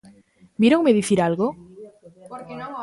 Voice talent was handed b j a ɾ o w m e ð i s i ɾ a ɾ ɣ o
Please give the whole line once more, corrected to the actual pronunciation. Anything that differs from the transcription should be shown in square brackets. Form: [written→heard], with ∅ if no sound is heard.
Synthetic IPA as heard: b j [a→e] ɾ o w m e ð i [s→θ] i ɾ a [ɾ→l] ɣ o

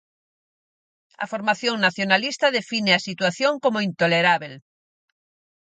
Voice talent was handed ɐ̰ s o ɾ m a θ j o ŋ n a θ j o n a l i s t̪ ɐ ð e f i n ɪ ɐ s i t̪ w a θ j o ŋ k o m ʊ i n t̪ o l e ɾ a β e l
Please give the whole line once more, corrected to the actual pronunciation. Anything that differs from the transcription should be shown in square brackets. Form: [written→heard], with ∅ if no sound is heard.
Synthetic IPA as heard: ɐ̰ [s→f] o ɾ m a θ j o ŋ n a θ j o n a l i s t̪ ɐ ð e f i n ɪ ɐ s i t̪ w a θ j o ŋ k o m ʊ i n t̪ o l e ɾ a β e l

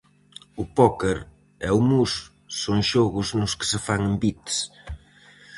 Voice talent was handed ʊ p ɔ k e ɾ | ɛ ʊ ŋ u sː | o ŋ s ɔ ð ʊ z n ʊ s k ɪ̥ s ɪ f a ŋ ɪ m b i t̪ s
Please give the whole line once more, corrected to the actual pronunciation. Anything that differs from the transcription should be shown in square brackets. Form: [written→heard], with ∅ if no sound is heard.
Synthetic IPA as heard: ʊ p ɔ k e ɾ | ɛ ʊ [ŋ→m] u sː | o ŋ [s→ʃ] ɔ [ð→ɣ] ʊ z n ʊ s k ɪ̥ s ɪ f a ŋ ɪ m b i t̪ s

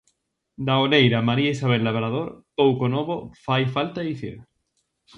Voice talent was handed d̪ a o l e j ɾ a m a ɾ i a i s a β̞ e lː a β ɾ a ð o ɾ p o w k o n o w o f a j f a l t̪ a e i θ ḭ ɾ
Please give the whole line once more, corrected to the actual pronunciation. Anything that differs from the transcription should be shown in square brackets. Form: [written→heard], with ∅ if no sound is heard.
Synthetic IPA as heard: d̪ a o l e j ɾ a m a ɾ i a i s a β̞ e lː a β ɾ a ð o ɾ p o w k o n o [w→β] o f a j f a l t̪ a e i θ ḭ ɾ

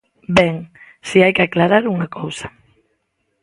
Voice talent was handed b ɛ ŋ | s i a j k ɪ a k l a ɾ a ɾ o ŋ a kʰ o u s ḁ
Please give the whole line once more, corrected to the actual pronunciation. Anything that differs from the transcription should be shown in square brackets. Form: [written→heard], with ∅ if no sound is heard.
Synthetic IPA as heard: b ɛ ŋ | s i a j k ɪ a k l a ɾ a ɾ [o→u] ŋ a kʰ o [u→w] s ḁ

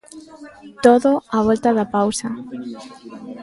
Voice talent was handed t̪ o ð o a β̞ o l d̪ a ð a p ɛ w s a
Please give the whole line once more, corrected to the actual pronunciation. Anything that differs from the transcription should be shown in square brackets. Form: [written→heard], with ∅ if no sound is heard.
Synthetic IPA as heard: t̪ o ð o a β̞ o l [d̪→t̪] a ð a p [ɛ→a] w s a

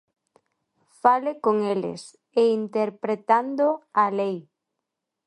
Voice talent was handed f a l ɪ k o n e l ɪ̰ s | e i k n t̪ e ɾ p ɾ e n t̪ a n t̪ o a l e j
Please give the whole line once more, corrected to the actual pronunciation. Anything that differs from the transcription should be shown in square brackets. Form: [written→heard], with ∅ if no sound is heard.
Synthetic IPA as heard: f a l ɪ k o [n→ŋ] e l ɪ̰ s | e i [k→∅] n t̪ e ɾ p ɾ e [n→∅] t̪ a n [t̪→d̪] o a l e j

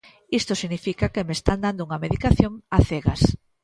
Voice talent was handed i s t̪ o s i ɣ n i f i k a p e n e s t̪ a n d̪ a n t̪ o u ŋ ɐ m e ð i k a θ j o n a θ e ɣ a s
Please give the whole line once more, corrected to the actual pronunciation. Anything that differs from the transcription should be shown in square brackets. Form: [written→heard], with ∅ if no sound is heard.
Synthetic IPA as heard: i s t̪ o s i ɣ n i f i k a [p→k] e [n→m] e s t̪ a n d̪ a n [t̪→d̪] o u ŋ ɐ m e ð i k a θ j o [n→ŋ] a θ e ɣ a s

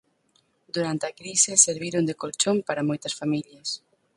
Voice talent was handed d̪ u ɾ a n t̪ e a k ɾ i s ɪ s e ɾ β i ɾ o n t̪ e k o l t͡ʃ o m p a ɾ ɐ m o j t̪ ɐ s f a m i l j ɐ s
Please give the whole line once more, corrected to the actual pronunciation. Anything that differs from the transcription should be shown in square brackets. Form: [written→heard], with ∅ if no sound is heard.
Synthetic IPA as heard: d̪ u ɾ a n t̪ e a k ɾ i s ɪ s e ɾ β i ɾ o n [t̪→d̪] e k o l t͡ʃ o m p a ɾ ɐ m o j t̪ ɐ s f a m i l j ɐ s

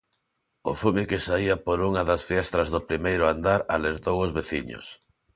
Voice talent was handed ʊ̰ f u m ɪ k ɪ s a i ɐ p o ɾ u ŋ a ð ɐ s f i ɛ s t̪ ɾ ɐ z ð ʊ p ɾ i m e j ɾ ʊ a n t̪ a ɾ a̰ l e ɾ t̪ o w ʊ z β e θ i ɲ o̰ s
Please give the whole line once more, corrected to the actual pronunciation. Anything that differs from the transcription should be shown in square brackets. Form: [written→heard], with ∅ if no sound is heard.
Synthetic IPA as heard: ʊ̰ f u m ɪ k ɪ s a i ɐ p o ɾ u ŋ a ð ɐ s f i ɛ s t̪ ɾ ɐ z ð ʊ p ɾ i m e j ɾ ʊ a n [t̪→d̪] a ɾ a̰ l e ɾ t̪ o w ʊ z β e θ i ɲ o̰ s

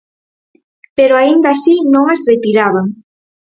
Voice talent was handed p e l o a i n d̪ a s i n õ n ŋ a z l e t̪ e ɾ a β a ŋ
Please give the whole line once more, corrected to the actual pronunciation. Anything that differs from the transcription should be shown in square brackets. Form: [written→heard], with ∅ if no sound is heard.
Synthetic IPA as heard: p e [l→ɾ] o a i n d̪ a s i n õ [n→∅] ŋ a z [l→r] e t̪ [e→i] ɾ a β a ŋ

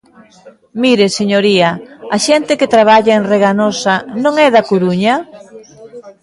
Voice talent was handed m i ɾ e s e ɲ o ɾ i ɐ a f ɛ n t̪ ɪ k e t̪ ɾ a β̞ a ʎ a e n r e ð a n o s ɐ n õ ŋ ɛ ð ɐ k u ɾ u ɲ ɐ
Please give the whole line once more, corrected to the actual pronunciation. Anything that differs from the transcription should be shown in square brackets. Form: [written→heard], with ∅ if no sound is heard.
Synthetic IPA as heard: m i ɾ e s e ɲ o ɾ i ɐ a [f→ʃ] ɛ n t̪ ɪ k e t̪ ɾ a β̞ a ʎ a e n r e [ð→ɣ] a n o s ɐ n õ ŋ ɛ ð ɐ k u ɾ u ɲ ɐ

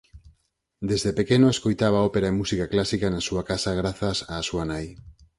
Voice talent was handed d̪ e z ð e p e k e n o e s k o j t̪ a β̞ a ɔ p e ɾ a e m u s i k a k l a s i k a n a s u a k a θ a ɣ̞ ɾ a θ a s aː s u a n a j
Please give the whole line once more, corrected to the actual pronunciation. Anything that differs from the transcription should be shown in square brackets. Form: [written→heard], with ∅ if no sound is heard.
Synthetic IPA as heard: d̪ e z ð e p e k e n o e s k o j t̪ a β̞ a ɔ p e ɾ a e m u s i k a k l a s i k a n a s u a k a [θ→s] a ɣ̞ ɾ a θ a s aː s u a n a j

